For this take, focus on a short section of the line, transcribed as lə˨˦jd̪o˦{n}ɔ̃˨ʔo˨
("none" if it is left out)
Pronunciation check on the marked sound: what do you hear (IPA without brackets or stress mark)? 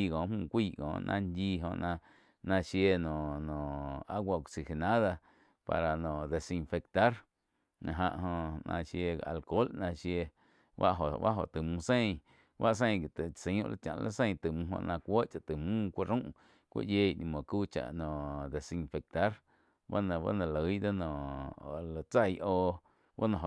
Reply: n